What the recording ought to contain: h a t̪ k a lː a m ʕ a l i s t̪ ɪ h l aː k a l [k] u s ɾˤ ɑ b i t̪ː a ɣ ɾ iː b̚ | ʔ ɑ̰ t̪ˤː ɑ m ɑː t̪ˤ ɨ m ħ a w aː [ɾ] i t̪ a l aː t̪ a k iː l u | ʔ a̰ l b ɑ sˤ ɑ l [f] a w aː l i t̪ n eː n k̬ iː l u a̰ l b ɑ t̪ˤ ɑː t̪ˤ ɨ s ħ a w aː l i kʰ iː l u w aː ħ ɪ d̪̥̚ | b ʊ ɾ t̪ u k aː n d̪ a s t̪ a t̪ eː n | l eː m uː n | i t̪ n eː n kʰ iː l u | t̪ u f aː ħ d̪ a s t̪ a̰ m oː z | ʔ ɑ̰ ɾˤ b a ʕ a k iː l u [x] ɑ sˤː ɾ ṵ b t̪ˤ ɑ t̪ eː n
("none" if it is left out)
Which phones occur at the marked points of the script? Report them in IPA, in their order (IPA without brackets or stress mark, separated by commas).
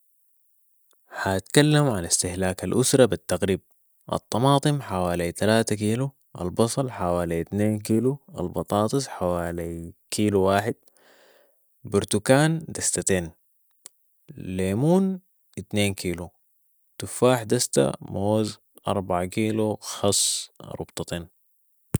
ʔ, l, ħ, x